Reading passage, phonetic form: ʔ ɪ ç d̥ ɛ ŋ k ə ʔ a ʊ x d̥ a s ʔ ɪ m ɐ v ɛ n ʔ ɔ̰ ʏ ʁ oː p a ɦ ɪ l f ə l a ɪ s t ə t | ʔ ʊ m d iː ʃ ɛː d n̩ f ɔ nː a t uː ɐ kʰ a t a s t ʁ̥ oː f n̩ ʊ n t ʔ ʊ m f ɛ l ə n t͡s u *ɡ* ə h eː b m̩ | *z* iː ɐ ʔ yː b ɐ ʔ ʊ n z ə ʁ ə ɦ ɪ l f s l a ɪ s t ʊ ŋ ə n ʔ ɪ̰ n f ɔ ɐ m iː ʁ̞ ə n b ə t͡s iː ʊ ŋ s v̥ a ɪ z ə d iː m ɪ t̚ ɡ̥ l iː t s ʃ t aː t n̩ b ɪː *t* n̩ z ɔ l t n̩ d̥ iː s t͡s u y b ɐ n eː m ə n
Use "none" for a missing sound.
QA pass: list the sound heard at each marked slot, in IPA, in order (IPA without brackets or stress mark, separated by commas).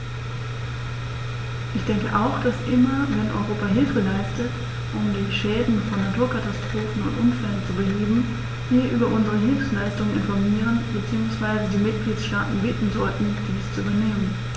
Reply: b, v, t